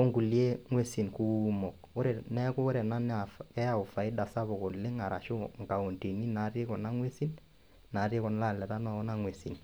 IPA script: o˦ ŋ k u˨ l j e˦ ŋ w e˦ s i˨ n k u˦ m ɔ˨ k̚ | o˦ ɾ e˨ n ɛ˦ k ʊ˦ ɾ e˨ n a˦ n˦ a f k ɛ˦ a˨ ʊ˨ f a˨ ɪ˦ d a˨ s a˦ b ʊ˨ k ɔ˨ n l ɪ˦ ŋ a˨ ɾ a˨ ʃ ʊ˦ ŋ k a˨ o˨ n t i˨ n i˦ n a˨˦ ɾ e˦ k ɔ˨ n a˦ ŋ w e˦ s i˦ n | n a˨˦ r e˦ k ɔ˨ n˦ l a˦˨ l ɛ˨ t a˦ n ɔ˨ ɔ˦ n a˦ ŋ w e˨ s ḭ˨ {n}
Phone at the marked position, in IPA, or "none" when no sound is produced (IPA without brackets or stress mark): n